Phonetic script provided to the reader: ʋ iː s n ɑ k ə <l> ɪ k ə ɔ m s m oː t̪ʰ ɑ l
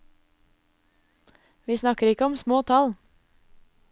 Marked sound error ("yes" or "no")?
yes